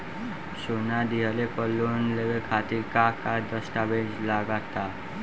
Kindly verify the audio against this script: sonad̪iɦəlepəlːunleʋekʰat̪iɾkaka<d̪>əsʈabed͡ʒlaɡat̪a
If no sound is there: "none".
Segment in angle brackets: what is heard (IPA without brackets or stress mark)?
d̪